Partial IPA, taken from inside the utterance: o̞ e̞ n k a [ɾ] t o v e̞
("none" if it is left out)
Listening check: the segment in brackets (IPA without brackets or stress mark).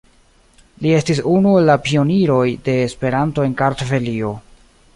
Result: ɾ